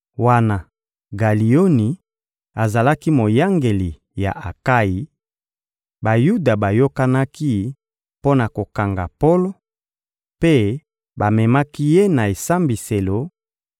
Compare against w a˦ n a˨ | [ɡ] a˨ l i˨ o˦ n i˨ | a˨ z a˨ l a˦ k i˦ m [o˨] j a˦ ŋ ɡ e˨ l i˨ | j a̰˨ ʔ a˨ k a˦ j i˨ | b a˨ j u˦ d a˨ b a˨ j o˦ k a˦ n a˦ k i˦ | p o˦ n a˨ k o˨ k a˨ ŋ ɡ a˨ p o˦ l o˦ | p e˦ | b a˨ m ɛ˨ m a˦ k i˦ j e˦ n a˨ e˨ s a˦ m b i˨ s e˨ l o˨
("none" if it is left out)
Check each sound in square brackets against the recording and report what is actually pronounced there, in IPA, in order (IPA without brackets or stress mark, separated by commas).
ɡ, o˨